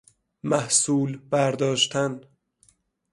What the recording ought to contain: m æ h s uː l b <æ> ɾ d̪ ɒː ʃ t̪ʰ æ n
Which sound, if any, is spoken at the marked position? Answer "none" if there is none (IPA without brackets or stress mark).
æ